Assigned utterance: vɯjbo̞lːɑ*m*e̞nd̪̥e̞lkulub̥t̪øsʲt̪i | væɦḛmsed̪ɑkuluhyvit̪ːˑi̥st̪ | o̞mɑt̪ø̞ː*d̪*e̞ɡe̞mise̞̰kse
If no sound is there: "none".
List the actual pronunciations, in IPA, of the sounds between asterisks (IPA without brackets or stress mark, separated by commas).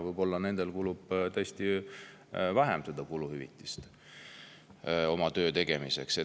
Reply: n, t̪